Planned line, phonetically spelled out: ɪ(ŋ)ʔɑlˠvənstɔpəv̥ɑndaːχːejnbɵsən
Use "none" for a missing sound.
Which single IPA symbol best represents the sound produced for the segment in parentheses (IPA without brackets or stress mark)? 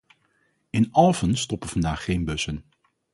n